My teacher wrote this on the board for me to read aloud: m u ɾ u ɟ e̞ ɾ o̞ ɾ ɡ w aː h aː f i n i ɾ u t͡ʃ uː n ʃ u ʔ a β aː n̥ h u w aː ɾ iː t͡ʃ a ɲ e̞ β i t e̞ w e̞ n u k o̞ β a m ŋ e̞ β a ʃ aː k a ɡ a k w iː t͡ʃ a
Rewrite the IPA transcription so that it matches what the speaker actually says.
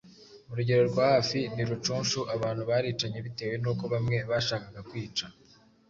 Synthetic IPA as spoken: m u ɾ u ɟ e̞ ɾ o̞ ɾ ɡ w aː h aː f i n i ɾ u t͡ʃ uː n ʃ u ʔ a β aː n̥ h u β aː ɾ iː t͡ʃ a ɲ e̞ β i t e̞ w e̞ n u k o̞ β a m ŋ e̞ β a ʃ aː k a ɡ a k w iː t͡ʃ a

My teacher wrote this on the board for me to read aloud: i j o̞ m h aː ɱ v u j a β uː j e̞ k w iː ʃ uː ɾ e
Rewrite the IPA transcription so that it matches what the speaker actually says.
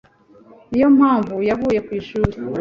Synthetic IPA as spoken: i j o̞ m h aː ɱ v u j a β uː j e̞ k w iː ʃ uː ɾ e

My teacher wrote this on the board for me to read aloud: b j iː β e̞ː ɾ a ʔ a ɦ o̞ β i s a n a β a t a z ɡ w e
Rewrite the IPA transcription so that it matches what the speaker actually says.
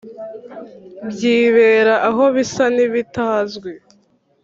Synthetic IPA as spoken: b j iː β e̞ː ɾ a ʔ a ɦ o̞ β i s a n i β i t a z ɡ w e

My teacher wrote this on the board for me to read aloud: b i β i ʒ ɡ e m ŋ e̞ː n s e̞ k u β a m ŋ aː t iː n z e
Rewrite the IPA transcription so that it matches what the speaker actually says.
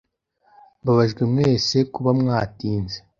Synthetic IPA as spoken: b a β a ʒ ɡ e m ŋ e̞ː s e̞ k u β a m ŋ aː t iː n z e

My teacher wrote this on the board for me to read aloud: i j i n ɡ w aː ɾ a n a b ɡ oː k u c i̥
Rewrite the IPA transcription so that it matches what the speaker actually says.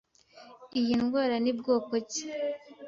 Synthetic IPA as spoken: i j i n ɡ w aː ɾ a n i b ɡ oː k o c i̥

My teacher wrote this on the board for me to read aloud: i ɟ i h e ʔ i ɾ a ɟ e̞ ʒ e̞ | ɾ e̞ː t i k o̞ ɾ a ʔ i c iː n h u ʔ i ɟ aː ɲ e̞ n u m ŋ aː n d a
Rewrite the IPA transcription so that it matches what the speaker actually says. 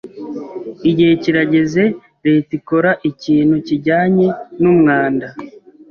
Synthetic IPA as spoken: i ɟ i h e c i ɾ a ɟ e̞ z e̞ | ɾ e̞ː t i k o̞ ɾ a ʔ i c iː n h u c i ɟ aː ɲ e̞ n u m ŋ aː n d a

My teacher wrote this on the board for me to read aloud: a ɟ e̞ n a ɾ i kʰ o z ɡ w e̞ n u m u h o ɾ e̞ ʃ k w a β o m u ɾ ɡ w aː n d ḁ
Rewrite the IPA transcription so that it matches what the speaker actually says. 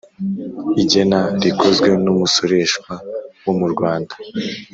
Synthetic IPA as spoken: i ɟ e̞ n a ɾ i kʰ o z ɡ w e̞ n u m u s o ɾ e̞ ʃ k w a w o m u ɾ ɡ w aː n d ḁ

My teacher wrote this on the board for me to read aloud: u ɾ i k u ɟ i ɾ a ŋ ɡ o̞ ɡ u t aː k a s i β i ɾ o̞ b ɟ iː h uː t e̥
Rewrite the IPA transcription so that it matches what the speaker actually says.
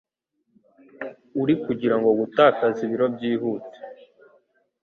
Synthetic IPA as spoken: u ɾ i k u ɟ i ɾ a ŋ ɡ o̞ ɡ u t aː k a z i β i ɾ o̞ b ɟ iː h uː t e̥

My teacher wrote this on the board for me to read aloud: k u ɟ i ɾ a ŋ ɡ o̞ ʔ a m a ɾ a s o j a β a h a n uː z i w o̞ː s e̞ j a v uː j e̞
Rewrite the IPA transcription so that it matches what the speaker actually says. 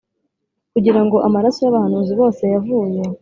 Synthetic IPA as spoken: k u ɟ i ɾ a ŋ ɡ o̞ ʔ a m a ɾ a s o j a β a h a n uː z i β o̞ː s e̞ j a v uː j e̞

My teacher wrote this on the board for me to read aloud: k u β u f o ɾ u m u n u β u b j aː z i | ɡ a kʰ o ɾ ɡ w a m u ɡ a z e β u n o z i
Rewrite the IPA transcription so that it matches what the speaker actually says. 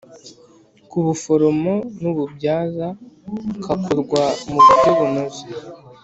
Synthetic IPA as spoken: k u β u f o ɾ o m o n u β u b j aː z a | k a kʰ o ɾ ɡ w a m u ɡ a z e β u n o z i

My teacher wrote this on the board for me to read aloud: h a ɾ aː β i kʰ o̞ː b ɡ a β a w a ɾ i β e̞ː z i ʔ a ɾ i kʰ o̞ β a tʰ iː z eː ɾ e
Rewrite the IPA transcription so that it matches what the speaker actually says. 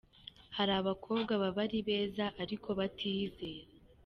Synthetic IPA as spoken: h a ɾ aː β a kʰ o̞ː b ɡ a β a β a ɾ i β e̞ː z a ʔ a ɾ i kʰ o̞ β a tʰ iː z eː ɾ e

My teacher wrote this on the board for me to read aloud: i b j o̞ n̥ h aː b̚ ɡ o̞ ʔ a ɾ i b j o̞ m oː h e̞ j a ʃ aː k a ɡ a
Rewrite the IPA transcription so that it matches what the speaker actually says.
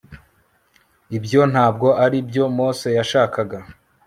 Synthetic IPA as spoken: i b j o̞ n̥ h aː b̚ ɡ o̞ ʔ a ɾ i b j o̞ m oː s e̞ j a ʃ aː k a ɡ a

